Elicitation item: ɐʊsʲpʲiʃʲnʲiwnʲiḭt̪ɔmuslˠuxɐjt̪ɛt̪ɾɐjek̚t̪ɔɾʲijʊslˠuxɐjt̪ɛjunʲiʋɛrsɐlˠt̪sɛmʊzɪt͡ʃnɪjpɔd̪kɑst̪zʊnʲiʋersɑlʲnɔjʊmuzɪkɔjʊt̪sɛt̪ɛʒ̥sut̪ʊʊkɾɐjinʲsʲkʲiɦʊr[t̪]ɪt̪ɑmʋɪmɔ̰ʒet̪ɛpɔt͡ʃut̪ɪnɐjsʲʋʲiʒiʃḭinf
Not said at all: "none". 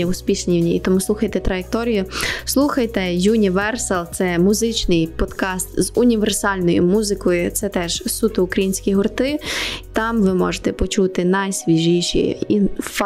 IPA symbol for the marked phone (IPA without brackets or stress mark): t̪